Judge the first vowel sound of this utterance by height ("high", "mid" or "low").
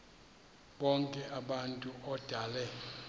mid